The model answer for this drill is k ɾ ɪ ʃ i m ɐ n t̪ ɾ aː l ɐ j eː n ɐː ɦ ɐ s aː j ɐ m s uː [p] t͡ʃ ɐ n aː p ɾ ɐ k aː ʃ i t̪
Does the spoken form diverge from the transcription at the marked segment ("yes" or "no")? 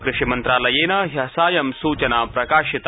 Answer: yes